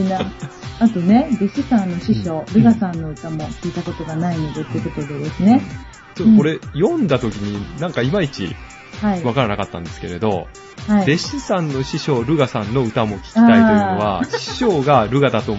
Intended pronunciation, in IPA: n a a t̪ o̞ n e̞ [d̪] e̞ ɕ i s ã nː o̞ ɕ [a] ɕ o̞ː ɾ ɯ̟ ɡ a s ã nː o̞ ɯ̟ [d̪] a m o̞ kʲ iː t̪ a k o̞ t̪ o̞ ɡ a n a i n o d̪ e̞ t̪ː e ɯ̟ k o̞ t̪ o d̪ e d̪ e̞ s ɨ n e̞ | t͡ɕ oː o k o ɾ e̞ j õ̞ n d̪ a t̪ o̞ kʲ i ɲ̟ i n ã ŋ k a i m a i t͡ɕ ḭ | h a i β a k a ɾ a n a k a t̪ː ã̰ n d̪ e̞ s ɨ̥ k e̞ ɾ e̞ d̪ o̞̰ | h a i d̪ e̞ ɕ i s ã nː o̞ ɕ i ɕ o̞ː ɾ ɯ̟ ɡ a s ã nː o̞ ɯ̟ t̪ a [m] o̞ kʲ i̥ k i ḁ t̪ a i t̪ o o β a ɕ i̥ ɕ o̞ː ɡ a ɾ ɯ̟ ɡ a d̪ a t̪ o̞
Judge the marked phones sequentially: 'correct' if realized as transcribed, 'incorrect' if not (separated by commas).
correct, incorrect, incorrect, correct